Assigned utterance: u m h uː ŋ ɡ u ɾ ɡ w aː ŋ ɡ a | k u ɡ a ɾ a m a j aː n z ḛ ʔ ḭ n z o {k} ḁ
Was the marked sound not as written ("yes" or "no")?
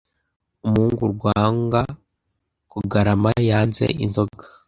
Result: yes